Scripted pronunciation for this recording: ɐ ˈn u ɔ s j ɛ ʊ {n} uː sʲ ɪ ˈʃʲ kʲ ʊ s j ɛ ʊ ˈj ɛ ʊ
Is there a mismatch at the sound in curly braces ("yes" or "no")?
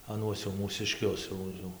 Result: yes